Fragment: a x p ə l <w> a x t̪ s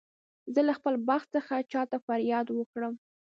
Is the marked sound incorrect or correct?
incorrect